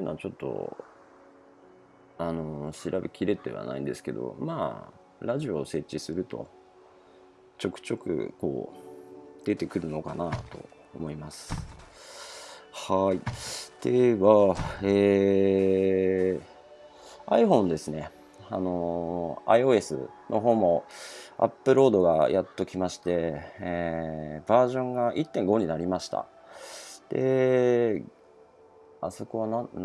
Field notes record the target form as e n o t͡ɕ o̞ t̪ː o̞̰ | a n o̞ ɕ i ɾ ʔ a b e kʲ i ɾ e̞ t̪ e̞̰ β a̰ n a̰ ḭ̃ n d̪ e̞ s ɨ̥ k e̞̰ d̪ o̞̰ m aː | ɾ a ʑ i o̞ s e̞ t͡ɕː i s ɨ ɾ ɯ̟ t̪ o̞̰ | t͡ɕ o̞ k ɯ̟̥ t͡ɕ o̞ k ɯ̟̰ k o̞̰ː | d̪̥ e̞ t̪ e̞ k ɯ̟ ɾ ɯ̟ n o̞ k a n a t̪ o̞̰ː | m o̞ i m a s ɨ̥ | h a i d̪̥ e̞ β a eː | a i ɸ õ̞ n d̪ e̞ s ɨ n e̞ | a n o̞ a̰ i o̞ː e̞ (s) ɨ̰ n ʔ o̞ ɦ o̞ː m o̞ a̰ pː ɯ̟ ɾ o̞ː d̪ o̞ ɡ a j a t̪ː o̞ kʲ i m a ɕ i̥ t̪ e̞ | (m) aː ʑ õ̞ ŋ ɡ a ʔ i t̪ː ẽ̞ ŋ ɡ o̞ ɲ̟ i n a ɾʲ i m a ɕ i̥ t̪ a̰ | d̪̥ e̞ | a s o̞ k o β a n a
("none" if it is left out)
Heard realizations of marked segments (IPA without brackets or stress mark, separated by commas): s, b